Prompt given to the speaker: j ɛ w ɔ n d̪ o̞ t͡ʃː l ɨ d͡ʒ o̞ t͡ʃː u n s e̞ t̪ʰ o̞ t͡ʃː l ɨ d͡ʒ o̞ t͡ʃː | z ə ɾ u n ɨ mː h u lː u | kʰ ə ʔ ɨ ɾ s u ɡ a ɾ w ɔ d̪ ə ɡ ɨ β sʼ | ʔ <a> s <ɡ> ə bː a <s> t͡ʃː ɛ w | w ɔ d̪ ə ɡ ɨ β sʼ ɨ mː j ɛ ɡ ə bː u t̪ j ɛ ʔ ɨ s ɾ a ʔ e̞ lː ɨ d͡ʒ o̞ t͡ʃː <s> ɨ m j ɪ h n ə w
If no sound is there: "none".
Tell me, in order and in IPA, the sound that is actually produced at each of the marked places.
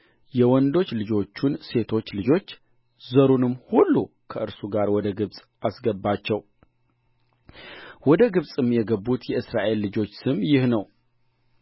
a, ɡ, none, s

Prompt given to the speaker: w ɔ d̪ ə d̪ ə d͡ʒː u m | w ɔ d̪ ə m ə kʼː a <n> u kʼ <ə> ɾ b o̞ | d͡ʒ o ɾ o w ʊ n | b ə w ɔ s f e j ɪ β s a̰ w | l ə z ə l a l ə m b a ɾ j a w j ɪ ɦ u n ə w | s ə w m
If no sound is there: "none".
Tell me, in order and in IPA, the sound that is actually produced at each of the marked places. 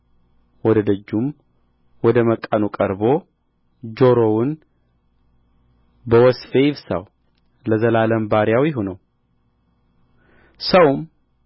n, ə

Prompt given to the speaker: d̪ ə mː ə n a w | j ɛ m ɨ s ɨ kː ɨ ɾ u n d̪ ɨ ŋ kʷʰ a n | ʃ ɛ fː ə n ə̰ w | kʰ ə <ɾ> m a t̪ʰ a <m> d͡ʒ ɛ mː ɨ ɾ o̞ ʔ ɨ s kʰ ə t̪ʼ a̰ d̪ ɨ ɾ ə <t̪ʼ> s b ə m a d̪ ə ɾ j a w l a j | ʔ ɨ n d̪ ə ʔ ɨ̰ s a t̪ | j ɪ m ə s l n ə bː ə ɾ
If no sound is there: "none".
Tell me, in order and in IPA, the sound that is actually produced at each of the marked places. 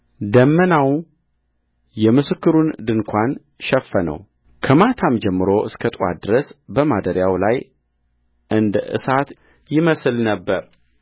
none, m, none

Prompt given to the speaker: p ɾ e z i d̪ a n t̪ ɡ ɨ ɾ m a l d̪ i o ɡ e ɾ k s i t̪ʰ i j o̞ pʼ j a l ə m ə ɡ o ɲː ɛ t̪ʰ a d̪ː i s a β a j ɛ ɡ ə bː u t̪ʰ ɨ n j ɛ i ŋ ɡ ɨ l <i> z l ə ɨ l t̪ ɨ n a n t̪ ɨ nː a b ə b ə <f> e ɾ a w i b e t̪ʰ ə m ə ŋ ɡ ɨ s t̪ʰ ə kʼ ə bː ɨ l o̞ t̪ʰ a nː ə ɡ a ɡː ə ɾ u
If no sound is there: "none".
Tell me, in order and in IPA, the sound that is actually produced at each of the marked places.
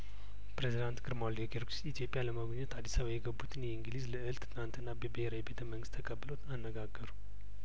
i, h

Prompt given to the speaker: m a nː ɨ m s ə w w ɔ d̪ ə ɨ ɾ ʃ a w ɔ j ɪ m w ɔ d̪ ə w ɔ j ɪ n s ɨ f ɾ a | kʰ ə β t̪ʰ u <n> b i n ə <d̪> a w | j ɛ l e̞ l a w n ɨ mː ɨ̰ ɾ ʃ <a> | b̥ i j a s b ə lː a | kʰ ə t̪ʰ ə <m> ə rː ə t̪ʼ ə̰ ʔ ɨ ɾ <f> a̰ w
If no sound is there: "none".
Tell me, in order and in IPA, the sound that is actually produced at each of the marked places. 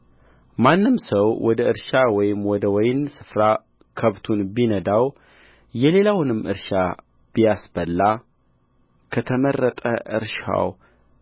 n, d̪, a, m, ʃ

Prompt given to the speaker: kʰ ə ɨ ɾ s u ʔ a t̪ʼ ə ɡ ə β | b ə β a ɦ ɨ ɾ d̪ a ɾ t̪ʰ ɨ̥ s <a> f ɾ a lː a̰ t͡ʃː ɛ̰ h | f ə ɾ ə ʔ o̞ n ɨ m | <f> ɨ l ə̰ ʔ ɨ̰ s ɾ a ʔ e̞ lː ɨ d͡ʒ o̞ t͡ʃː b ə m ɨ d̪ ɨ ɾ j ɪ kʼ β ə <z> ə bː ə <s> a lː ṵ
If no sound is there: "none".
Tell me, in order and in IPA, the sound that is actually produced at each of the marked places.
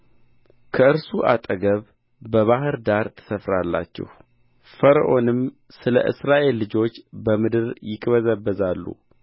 ə, s, z, z

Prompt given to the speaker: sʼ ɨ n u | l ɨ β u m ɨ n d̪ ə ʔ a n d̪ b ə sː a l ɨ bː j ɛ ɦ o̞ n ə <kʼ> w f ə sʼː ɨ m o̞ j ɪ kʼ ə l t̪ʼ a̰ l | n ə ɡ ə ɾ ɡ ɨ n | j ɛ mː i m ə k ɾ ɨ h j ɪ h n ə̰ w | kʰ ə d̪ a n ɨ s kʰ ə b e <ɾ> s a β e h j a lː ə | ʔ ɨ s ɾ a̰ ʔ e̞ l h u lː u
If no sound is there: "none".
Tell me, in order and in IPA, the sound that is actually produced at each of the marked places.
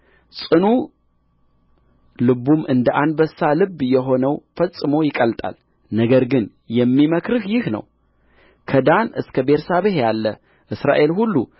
none, ɾ

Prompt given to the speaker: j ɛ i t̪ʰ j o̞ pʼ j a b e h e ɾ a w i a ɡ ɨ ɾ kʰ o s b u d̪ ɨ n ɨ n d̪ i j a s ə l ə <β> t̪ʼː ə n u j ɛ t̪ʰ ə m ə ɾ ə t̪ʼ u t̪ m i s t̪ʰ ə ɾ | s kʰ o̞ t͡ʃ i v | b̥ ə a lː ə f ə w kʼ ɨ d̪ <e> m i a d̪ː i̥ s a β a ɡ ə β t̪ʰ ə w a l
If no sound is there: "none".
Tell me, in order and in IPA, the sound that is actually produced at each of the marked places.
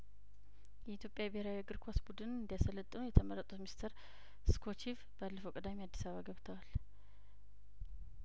none, a

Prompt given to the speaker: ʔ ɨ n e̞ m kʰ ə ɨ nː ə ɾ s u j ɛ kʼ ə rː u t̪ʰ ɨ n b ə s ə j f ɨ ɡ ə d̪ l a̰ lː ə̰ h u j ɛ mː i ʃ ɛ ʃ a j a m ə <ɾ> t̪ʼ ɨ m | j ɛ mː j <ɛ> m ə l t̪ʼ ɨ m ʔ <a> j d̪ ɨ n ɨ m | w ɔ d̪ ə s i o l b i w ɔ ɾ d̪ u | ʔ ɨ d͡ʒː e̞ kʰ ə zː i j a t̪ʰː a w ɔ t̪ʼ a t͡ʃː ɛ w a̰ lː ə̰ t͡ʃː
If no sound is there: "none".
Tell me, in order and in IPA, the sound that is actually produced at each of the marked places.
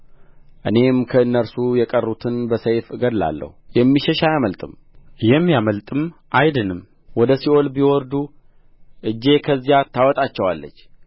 l, a, a

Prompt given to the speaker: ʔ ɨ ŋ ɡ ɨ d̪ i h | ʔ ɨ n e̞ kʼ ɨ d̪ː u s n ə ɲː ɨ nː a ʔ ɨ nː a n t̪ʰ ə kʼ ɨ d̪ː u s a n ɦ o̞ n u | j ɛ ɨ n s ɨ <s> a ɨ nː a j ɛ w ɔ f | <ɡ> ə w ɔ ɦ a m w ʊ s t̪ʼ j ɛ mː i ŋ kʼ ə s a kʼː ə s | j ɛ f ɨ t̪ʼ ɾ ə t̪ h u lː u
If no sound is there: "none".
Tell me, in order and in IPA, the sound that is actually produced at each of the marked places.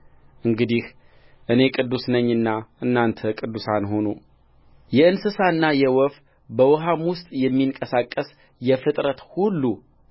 s, b

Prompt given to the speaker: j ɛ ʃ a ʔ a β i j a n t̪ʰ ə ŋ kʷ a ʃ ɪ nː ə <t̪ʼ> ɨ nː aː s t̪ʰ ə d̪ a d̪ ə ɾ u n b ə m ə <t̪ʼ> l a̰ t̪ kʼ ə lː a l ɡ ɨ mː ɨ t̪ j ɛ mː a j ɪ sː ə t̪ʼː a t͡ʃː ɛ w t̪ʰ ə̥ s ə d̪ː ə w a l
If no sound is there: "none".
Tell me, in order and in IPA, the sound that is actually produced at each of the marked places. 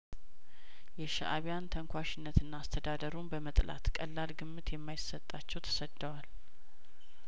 t̪, t̪ʼ

